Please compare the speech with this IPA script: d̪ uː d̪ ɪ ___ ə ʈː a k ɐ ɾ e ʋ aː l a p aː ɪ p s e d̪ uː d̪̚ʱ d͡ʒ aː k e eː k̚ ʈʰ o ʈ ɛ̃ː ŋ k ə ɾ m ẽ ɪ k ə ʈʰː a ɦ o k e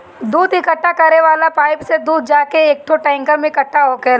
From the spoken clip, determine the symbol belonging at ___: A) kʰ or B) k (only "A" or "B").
B